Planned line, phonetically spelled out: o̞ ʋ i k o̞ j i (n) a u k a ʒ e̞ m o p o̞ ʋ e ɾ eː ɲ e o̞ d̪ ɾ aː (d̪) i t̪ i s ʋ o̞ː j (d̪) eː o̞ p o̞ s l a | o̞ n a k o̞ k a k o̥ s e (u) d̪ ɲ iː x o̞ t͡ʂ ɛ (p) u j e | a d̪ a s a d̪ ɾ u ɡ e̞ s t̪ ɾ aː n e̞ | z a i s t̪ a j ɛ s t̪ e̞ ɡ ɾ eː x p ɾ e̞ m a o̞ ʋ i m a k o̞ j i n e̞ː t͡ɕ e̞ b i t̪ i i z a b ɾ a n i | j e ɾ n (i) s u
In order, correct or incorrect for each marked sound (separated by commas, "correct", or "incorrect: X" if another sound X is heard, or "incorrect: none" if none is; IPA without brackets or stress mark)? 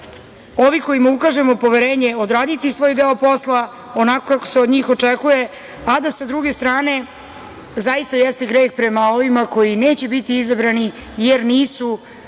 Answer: incorrect: m, correct, correct, incorrect: o, incorrect: k, incorrect: iː